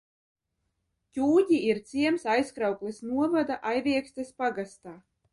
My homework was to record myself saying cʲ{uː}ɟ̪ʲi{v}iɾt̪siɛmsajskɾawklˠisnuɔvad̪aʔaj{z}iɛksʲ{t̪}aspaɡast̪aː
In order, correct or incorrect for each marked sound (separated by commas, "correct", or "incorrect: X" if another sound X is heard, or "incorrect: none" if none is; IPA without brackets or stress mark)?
correct, incorrect: none, incorrect: v, correct